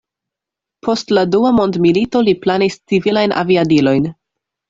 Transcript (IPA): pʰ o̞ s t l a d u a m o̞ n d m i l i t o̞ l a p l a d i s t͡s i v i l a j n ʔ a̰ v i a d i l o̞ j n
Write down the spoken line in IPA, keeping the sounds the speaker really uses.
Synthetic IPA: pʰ o̞ s t l a d u a m o̞ n d m i l i t o̞ l i p l a n i s t͡s i v i l a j n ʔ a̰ v i a d i l o̞ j n